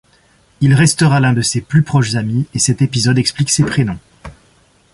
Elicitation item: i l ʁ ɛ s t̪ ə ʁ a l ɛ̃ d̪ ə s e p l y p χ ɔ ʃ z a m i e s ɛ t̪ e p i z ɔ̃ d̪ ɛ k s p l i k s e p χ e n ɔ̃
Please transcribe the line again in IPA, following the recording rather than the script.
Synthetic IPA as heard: i l ʁ ɛ s t̪ ə ʁ a l ɛ̃ d̪ ə s e p l y p χ ɔ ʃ z a m i e s ɛ t̪ e p i z ɔ d̪ ɛ k s p l i k s e p χ e n ɔ̃